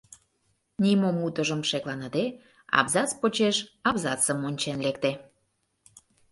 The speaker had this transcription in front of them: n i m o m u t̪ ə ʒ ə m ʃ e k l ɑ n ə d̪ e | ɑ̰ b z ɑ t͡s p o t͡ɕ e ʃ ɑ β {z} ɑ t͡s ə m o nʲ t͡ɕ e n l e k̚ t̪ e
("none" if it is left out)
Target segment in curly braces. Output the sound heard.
z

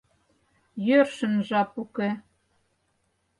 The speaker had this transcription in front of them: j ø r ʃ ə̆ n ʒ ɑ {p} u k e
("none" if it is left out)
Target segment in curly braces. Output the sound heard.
p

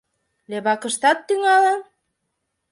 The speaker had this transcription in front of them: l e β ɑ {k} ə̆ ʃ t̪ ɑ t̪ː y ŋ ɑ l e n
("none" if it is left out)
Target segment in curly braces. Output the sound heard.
k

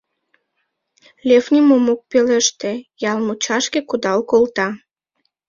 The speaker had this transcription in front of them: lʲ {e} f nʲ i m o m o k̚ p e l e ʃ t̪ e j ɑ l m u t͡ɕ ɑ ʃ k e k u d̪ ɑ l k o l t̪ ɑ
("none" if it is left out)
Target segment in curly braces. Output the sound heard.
e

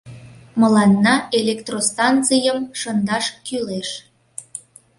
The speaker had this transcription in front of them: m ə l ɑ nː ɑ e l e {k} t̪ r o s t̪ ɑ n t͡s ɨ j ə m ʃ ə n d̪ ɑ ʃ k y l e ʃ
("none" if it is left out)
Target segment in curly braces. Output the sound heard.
k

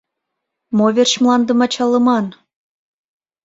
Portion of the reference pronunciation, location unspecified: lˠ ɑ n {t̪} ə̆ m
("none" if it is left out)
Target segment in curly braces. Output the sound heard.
d̪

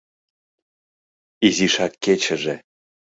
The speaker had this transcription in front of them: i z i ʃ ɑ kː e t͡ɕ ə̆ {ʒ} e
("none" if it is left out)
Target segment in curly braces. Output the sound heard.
ʒ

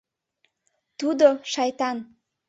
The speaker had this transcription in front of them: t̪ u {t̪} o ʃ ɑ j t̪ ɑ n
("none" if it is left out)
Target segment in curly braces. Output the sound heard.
d̪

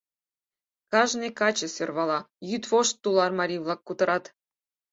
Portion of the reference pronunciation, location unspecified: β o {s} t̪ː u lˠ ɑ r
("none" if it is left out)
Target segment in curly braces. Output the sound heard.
ʃ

